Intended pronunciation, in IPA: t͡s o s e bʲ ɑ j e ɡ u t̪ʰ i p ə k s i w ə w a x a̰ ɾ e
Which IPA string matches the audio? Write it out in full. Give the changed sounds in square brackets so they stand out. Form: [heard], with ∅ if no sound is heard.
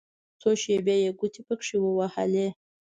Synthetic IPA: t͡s o [ʃ] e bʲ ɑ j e ɡ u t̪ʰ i p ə k [ʂ] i w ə w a [h] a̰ [l] e